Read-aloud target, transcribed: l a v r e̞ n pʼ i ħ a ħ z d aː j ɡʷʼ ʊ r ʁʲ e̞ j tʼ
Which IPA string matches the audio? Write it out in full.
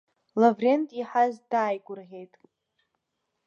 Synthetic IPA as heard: l a v r e̞ n tʼ i ħ a z d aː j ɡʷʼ ʊ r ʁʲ e̞ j tʼ